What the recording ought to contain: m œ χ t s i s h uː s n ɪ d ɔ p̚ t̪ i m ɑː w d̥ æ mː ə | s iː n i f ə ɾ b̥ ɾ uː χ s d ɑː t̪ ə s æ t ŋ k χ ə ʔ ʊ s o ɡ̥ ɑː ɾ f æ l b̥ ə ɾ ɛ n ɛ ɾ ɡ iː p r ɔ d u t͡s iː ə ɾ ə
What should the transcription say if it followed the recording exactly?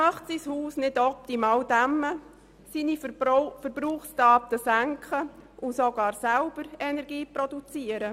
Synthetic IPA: m œ χ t s i s h uː s n ɪ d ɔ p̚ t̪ i m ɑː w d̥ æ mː ə | s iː n i f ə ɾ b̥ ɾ uː χ s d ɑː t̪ ə s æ ŋ k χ ə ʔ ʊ s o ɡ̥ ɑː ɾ s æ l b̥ ə ɾ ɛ n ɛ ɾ ɡ iː p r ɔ d u t͡s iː ə ɾ ə